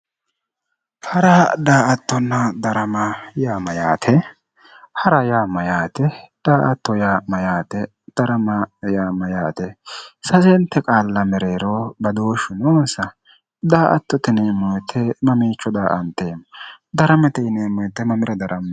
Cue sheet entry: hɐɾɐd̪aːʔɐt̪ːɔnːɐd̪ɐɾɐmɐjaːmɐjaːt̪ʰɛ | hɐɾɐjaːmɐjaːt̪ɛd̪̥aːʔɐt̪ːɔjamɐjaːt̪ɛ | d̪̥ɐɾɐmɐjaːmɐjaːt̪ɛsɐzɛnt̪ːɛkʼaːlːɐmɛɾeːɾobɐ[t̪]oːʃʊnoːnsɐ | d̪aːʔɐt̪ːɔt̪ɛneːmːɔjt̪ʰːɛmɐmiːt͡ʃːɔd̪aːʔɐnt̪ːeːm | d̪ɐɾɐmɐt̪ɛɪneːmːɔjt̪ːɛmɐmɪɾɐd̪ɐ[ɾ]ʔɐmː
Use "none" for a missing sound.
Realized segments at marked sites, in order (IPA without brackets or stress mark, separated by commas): d̪, ɾ